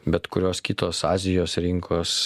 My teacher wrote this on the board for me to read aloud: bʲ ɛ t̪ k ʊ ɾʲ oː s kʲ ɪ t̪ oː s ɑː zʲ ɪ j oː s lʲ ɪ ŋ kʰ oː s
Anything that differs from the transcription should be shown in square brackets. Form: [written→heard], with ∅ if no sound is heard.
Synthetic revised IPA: bʲ ɛ t̪ k ʊ ɾʲ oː s kʲ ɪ t̪ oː s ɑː zʲ ɪ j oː s [lʲ→ɾʲ] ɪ ŋ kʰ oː s